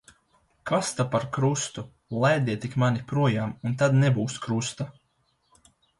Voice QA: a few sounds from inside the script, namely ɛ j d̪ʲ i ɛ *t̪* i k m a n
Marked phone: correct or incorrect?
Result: correct